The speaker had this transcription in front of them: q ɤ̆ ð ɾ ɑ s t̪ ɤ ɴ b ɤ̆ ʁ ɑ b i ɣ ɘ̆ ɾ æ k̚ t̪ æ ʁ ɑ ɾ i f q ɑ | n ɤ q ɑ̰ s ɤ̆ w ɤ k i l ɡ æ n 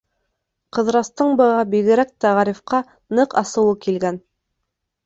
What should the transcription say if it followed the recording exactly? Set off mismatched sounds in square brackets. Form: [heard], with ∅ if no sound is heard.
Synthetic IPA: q ɤ̆ ð ɾ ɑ s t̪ ɤ ɴ b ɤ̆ ʁ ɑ b i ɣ ɘ̆ ɾ æ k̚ t̪ æ ʁ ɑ ɾ i f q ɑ | n ɤ q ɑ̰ s ɤ̆ w ɤ k i l ɡ æ n

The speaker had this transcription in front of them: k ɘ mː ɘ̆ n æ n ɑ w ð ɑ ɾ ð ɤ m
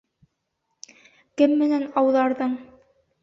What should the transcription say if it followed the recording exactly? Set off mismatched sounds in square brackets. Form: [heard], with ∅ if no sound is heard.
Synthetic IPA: k ɘ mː ɘ̆ n æ n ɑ w ð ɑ ɾ ð ɤ [ɴ]

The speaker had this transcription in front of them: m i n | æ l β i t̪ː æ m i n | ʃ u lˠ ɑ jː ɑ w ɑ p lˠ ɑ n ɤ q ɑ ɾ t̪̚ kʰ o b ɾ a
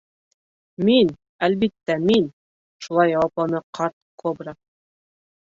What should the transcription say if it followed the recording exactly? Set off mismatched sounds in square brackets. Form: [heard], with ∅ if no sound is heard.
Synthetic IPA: m i n | æ l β i t̪ː æ m i n | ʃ u lˠ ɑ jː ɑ w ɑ p lˠ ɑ n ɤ q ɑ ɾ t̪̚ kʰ o b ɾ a

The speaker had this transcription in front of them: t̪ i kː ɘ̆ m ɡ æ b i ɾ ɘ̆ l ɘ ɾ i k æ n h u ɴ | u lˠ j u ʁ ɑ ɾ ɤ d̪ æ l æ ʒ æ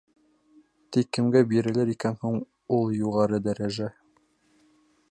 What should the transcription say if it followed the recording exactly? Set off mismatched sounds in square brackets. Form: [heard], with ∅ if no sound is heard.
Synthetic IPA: t̪ i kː ɘ̆ m ɡ æ b i ɾ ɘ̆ l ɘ ɾ i k æ n h u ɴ | u lˠ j u ʁ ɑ ɾ ɤ d̪ æ [ɾ] æ ʒ æ

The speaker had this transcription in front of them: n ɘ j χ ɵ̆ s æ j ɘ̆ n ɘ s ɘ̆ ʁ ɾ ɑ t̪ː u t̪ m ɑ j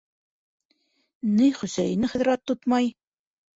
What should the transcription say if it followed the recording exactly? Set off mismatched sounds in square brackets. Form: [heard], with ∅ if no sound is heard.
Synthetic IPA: n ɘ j χ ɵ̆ s æ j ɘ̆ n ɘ [χ] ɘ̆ [ð] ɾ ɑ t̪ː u t̪ m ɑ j

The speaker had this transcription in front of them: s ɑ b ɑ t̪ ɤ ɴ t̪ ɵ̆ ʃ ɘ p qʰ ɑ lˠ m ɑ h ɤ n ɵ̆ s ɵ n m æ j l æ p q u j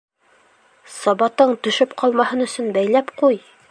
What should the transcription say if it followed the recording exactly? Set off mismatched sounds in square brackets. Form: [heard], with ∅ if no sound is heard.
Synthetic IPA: s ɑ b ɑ t̪ ɤ ɴ t̪ ɵ̆ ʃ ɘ p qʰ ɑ lˠ m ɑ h ɤ n ɵ̆ s ɵ n [b] æ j l æ p q u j

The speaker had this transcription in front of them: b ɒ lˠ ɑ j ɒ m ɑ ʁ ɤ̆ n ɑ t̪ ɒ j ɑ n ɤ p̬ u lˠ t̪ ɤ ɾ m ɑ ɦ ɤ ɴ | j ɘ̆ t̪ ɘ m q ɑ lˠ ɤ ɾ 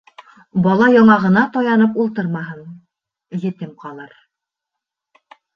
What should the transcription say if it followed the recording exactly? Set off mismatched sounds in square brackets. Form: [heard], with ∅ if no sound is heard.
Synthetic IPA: b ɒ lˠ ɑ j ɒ [ɴ] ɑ ʁ ɤ̆ n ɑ t̪ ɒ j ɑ n ɤ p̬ u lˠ t̪ ɤ ɾ m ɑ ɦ ɤ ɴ | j ɘ̆ t̪ ɘ m q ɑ lˠ ɤ ɾ

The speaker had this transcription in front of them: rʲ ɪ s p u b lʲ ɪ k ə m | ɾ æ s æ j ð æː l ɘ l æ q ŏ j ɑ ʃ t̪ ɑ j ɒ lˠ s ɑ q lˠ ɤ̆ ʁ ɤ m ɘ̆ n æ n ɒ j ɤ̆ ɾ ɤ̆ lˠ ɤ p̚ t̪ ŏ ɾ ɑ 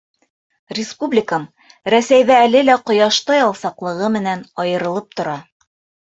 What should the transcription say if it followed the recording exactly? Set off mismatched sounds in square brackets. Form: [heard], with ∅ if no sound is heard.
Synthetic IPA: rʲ ɪ s p u b lʲ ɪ k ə m | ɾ æ s æ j ð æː l ɘ l æ q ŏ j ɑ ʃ t̪ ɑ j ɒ lˠ s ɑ q lˠ ɤ̆ ʁ ɤ m ɘ̆ n æ n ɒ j ɤ̆ ɾ ɤ̆ lˠ ɤ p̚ t̪ ŏ ɾ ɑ

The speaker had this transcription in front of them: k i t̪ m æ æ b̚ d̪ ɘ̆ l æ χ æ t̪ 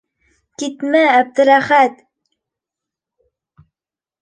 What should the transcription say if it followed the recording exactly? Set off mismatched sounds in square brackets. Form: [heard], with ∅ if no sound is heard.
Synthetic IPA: k i t̪ m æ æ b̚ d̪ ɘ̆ [ɾ] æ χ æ t̪

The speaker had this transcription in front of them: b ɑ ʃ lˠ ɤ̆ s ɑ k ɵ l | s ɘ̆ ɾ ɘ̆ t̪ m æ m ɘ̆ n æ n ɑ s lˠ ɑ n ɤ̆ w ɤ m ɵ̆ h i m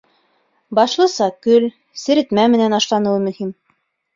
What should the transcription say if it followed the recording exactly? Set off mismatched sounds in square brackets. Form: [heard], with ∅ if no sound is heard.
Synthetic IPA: b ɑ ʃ lˠ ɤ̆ s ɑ k ɵ l | s ɘ̆ ɾ ɘ̆ t̪ m æ m ɘ̆ n æ n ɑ [ʃ] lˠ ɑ n ɤ̆ w ɤ m ɵ̆ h i m

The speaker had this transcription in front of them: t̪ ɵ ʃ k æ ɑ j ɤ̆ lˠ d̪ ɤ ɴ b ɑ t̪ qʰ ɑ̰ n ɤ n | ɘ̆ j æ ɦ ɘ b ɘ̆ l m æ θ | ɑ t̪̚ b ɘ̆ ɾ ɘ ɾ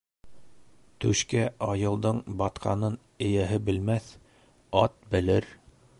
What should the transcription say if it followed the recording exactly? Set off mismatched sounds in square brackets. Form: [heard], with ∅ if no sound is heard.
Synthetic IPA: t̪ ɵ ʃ k æ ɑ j ɤ̆ lˠ d̪ ɤ ɴ b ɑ t̪ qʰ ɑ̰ n ɤ n | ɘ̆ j æ ɦ ɘ b ɘ̆ l m æ θ | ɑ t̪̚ b ɘ̆ [l] ɘ ɾ

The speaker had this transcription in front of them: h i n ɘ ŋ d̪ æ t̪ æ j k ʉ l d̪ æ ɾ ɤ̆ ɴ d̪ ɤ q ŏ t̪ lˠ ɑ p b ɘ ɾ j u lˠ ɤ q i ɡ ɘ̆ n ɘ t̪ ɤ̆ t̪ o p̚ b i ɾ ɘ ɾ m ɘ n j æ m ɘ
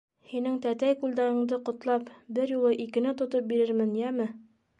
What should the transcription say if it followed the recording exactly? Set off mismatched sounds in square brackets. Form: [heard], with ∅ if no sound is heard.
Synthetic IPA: h i n ɘ ŋ [t̪] æ t̪ æ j k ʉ l d̪ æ ɾ ɤ̆ ɴ d̪ ɤ q ŏ t̪ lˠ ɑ p b ɘ ɾ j u lˠ ɤ [ʔ] i [k] ɘ̆ n ɘ t̪ [ŏ] t̪ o p̚ b i ɾ ɘ ɾ m ɘ n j æ m ɘ

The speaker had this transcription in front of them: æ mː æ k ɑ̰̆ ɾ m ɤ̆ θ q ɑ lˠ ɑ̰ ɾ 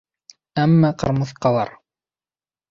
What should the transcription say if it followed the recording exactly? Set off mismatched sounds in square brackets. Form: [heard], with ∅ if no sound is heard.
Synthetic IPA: æ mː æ [q] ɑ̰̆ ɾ m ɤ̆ θ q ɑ lˠ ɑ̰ ɾ

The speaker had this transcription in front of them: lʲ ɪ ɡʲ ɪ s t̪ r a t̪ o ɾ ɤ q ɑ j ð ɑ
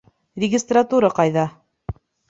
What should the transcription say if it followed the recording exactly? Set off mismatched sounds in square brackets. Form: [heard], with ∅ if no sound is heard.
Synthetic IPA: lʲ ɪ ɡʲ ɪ s t̪ r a t̪ [u] ɾ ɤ q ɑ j ð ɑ

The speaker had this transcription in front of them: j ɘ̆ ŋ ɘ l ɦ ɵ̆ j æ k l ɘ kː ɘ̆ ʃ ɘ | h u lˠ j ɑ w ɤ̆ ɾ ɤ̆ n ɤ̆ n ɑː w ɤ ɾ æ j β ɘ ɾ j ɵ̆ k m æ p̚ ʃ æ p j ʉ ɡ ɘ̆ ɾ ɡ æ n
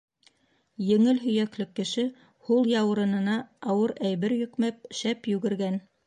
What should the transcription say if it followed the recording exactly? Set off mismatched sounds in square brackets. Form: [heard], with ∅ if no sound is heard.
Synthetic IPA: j ɘ̆ ŋ ɘ l ɦ ɵ̆ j æ k l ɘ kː ɘ̆ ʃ ɘ | h u lˠ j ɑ w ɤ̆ ɾ ɤ̆ n ɤ̆ n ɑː w ɤ ɾ æ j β ɘ ɾ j ɵ̆ k m æ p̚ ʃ æ p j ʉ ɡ ɘ̆ ɾ ɡ æ n

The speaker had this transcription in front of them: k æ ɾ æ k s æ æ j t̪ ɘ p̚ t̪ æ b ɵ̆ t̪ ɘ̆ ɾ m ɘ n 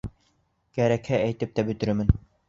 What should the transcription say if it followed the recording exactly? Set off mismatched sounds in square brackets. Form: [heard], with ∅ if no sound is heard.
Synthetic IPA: k æ ɾ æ k [h] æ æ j t̪ ɘ p̚ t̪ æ b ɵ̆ t̪ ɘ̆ ɾ m ɘ n

